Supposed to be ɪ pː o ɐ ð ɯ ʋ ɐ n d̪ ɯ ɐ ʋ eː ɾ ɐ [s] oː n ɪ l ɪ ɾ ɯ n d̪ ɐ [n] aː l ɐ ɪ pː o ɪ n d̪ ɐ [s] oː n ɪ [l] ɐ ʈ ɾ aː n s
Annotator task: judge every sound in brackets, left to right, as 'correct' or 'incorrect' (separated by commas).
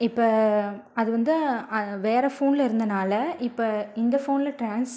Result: incorrect, correct, incorrect, correct